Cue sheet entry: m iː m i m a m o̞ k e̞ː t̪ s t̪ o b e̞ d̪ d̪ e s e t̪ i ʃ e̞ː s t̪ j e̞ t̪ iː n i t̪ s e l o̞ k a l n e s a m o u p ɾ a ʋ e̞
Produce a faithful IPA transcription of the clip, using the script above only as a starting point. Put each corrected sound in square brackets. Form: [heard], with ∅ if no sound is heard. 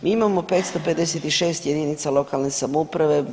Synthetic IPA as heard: m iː [∅] i m a m o̞ [p] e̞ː t̪ s t̪ o [p] e̞ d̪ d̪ e s e t̪ i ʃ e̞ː s t̪ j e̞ [d̪] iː n i t̪ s [a] l o̞ k a l n e s a m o u p ɾ a ʋ e̞